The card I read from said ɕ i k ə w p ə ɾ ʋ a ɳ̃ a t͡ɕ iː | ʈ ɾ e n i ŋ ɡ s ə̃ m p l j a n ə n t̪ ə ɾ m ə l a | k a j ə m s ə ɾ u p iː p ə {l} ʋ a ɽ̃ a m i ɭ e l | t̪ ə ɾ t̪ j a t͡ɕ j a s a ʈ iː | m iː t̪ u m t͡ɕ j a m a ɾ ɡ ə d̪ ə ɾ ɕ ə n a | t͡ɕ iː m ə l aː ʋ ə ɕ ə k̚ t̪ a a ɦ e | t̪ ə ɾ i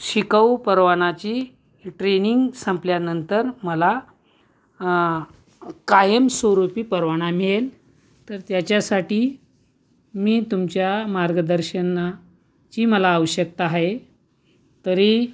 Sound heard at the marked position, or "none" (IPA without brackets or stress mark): ɾ